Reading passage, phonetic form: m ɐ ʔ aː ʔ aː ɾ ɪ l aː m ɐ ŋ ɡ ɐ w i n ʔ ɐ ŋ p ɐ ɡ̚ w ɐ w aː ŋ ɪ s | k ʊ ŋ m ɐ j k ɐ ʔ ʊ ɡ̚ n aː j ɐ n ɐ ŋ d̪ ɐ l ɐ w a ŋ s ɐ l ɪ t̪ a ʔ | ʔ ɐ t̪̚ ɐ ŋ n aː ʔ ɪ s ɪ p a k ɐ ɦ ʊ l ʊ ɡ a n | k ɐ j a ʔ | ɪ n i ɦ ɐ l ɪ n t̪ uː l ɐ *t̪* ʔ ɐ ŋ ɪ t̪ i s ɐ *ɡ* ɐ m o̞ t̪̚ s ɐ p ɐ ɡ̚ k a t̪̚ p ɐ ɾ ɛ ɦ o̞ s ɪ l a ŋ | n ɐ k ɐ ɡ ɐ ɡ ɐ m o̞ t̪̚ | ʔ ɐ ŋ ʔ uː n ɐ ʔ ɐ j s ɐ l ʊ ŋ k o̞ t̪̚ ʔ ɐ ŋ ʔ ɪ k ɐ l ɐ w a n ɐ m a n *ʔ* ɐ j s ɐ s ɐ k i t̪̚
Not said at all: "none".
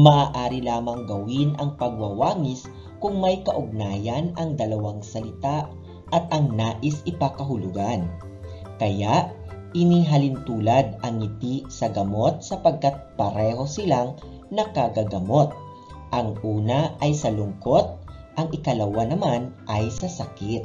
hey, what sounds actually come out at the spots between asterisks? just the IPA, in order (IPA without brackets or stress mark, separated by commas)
d̪, ɡ, ʔ